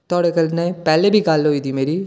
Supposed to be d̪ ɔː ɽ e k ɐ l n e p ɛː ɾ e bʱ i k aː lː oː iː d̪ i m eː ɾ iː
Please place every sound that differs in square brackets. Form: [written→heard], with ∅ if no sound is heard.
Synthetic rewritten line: [d̪→t̪] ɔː ɽ e k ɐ l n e p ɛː [ɾ→l] e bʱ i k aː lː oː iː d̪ i m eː ɾ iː